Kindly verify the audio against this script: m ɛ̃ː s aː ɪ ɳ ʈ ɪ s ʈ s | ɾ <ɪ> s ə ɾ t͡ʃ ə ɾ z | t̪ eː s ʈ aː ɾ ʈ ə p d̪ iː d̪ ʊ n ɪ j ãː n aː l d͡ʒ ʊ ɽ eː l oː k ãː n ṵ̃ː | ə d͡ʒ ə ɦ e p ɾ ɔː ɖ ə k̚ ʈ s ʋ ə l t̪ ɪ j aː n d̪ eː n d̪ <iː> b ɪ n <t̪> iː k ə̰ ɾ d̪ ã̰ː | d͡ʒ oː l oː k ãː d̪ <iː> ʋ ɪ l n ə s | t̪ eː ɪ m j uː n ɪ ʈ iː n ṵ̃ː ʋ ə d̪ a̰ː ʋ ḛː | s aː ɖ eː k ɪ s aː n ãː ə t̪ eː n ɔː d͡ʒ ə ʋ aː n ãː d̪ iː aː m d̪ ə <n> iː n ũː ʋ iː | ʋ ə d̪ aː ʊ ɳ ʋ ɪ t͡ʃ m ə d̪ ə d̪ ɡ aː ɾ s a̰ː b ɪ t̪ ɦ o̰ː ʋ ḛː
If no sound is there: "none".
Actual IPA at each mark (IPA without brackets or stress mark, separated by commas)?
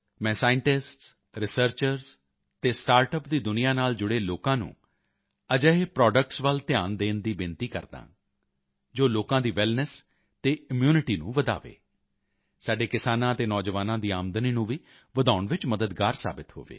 ɪ, iː, t̪, iː, n